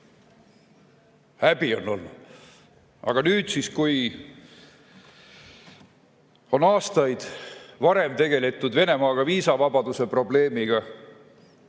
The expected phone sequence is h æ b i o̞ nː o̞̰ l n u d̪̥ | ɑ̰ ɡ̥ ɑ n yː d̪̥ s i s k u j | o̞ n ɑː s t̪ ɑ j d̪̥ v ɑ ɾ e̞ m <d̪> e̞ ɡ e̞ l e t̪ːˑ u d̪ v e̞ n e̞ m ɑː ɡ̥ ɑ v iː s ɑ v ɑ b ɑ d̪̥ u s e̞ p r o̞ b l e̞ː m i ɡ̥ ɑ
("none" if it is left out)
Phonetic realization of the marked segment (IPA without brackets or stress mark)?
t̪